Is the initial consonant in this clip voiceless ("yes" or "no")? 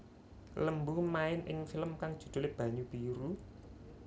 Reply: no